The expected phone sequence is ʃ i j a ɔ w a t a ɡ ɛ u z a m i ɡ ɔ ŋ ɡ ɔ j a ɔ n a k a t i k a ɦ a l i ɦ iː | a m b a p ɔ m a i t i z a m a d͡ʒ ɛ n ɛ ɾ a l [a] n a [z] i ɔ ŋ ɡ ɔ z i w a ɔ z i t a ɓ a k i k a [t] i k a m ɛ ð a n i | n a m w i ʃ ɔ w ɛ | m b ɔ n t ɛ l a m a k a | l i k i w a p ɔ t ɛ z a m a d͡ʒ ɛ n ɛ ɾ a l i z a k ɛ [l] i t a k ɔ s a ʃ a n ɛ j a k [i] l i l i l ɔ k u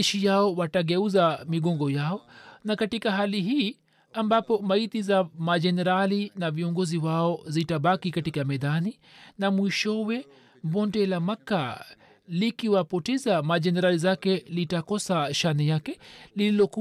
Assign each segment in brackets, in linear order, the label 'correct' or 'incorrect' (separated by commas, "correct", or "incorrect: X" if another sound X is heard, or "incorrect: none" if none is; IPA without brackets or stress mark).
incorrect: i, incorrect: v, correct, correct, incorrect: ɛ